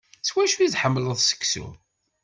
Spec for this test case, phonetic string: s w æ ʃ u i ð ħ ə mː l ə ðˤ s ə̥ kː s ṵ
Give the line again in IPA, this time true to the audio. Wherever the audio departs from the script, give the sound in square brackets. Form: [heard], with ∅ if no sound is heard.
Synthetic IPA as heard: s w æ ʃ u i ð ħ ə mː l ə ðˤ s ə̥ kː s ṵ